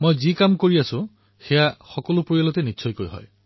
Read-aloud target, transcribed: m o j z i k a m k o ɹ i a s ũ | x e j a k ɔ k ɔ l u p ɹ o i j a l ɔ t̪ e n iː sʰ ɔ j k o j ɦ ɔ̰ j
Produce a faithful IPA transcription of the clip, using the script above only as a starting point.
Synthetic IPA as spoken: m o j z i k a m k o ɹ i a s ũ | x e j a x ɔ k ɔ l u p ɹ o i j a l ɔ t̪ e n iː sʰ ɔ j k o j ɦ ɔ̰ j